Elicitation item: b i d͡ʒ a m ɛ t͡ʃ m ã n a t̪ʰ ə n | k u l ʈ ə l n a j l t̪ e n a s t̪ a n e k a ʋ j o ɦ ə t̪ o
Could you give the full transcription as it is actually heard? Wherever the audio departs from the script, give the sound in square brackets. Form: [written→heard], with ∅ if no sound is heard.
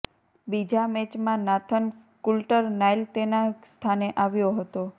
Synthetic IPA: b i d͡ʒ a m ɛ t͡ʃ m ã n a t̪ʰ ə n | k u l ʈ ə [l→ɾ] n a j l t̪ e n a s [t̪→t̪ʰ] a n e [k→ʔ] a ʋ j o ɦ ə t̪ o